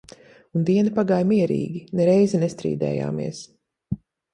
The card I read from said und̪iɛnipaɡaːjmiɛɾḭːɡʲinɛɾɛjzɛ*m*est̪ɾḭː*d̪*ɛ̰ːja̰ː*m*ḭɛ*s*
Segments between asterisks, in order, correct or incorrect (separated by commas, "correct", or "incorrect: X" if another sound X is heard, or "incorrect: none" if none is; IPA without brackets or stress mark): incorrect: n, correct, correct, correct